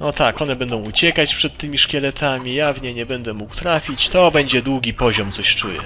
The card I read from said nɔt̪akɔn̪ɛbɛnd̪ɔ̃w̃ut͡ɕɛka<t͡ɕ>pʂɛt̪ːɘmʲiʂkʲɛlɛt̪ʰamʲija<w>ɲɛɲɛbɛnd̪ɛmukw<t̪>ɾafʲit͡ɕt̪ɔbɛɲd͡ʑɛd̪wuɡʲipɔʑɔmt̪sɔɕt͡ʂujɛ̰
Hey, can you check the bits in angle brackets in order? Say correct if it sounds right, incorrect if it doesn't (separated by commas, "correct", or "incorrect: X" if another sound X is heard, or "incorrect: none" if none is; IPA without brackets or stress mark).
correct, incorrect: v, correct